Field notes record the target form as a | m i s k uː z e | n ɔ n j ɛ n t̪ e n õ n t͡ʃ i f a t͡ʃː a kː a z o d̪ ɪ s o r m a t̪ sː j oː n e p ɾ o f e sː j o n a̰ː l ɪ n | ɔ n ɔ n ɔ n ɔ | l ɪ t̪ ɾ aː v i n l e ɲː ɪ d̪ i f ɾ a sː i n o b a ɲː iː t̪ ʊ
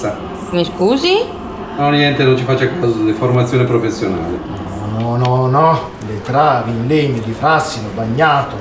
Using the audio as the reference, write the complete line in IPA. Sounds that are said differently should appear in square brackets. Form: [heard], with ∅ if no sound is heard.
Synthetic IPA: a | m i s k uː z [i] | n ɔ n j ɛ n t̪ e n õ n t͡ʃ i f a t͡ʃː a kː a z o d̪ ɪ [f] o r m a t̪ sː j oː n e p ɾ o f e sː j o n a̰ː l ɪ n | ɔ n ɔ n ɔ n ɔ | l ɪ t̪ ɾ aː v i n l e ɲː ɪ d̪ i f ɾ a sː i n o b a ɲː [aː] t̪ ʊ